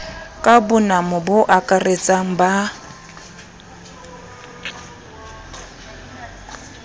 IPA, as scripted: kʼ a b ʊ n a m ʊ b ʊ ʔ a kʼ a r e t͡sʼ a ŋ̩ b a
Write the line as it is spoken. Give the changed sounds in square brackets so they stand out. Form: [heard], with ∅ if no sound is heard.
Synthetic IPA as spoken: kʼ a b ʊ n a m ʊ b ʊ ʔ a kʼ a r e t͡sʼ a ŋ̩ b a

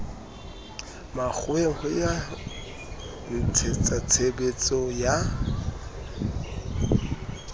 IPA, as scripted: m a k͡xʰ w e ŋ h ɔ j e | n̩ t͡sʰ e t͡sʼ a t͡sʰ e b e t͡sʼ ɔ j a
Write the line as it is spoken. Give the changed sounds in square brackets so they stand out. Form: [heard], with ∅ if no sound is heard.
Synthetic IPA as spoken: m a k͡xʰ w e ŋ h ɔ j [a] | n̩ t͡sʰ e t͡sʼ a t͡sʰ e b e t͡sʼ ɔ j a

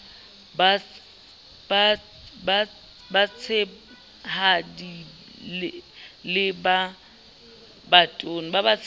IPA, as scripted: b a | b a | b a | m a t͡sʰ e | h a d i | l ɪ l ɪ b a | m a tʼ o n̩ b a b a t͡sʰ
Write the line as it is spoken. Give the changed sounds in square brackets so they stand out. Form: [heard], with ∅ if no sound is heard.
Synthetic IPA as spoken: b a | b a | b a | [b] a t͡sʰ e | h a d i | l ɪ l ɪ b a | [b] a tʼ o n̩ b a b a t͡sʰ

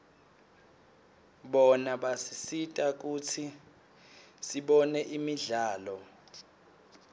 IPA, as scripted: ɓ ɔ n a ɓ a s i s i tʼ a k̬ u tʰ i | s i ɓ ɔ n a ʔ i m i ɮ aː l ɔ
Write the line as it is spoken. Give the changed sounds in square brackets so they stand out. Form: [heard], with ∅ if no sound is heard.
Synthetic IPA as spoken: ɓ ɔ n a ɓ a s i s i tʼ a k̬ u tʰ i | s i ɓ ɔ n [ɛ] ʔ i m i ɮ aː l ɔ

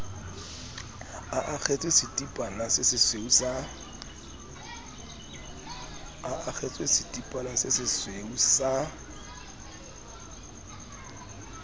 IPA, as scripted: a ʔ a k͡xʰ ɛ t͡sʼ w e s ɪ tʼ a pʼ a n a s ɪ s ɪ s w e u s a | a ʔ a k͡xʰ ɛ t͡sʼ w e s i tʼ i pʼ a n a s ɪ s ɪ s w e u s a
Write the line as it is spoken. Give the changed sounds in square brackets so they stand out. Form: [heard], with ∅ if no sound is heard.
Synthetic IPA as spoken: a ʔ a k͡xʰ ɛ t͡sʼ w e s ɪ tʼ [i] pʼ a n a s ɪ s ɪ s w e u s a | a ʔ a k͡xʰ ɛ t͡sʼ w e s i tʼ i pʼ a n a s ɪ s ɪ s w e u s a

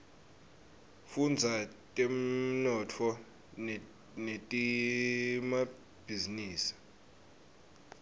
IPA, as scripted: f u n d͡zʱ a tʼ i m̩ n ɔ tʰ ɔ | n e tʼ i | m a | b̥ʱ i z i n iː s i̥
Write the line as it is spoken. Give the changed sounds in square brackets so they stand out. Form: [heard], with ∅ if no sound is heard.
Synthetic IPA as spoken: f u n d͡zʱ a tʼ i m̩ n ɔ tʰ ɔ | n e tʼ i | m a | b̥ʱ i z i n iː s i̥

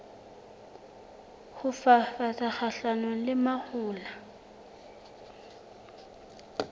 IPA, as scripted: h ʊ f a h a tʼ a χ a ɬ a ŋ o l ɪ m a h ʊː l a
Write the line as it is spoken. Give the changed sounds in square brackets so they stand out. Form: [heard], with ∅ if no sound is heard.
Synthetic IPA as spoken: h ʊ f a [f] a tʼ a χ a ɬ a [n] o l ɪ m a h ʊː l a

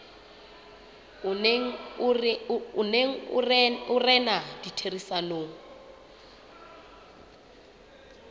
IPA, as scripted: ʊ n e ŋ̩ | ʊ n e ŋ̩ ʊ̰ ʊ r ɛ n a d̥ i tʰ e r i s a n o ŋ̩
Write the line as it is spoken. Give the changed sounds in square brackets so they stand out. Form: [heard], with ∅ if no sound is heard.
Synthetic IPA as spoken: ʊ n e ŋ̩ | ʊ n e ŋ̩ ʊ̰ ʊ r ɛ n a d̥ i tʰ e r i s a n o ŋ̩

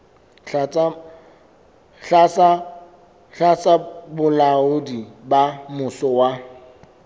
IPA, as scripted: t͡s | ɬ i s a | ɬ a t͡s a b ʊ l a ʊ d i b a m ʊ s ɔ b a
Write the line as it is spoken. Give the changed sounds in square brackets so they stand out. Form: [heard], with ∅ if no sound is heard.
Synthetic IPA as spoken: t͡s | ɬ [a] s a | ɬ a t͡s a b ʊ l a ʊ d i b a m ʊ s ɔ [w] a

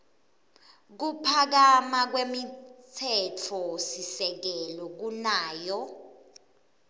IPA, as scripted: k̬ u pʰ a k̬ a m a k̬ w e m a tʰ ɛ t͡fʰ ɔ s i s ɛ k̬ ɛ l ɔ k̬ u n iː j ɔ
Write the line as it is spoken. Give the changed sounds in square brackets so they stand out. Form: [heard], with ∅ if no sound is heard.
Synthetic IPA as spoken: k̬ u pʰ a k̬ a m a k̬ w e m [i] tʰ ɛ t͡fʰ ɔ s i s ɛ k̬ ɛ l ɔ k̬ u n [aː] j ɔ

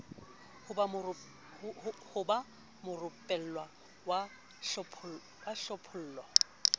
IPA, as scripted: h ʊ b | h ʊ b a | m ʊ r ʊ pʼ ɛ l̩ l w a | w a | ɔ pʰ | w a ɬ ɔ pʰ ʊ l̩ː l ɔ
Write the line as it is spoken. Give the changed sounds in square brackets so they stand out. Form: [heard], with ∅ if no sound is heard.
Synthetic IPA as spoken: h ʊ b | h ʊ b a | m ʊ r ʊ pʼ ɛ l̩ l w a | w a | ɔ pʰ | w a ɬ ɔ pʰ ʊ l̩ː l ɔ

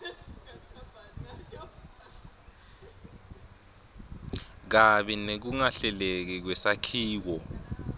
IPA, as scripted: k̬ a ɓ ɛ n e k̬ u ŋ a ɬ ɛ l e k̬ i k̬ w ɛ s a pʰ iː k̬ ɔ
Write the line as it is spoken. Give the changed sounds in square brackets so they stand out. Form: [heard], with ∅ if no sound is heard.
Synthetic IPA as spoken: k̬ a ɓ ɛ n e k̬ u ŋ a ɬ ɛ l e k̬ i k̬ w ɛ s a [kʰ] iː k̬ ɔ

